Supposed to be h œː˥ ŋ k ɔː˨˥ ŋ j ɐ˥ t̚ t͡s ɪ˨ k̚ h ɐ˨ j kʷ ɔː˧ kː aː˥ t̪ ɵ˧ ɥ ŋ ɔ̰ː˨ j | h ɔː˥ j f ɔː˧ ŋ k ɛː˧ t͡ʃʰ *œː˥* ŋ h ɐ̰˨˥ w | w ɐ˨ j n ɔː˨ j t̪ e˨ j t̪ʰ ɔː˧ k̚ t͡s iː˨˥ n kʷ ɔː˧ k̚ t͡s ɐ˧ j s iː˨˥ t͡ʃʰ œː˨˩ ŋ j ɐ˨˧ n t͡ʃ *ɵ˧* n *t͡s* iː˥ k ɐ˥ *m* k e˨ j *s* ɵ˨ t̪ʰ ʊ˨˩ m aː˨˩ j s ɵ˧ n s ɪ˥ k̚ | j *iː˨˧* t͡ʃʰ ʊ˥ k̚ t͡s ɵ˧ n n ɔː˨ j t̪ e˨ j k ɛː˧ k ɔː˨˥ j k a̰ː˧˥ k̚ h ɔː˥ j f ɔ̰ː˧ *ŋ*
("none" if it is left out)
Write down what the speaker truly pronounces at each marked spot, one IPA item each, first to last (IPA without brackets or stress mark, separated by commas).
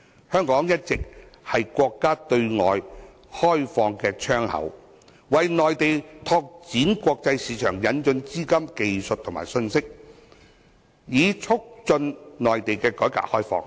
œː˥, ɵ˧, t͡s, m, s, iː˨˧, ŋ